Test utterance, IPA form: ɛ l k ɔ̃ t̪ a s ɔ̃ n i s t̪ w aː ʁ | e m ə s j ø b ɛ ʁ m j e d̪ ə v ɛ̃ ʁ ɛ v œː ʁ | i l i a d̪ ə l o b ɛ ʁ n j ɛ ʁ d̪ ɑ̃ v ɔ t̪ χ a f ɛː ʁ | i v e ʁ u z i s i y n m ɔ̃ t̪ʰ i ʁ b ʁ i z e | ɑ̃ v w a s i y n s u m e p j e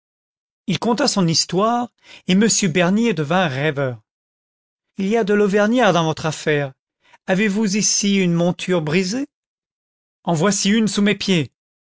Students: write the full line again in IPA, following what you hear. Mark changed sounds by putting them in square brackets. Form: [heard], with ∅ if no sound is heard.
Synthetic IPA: [i] l k ɔ̃ t̪ a s ɔ̃ n i s t̪ w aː ʁ | e m ə s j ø b ɛ ʁ [n] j e d̪ ə v ɛ̃ ʁ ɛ v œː ʁ | i l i a d̪ ə l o [v] ɛ ʁ n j ɛ ʁ d̪ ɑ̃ v ɔ t̪ χ a f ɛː ʁ | [a] v e [v] u z i s i y n m ɔ̃ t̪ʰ [y] ʁ b ʁ i z e | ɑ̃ v w a s i y n s u m e p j e